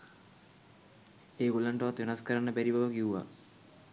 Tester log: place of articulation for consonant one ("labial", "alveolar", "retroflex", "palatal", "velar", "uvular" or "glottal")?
velar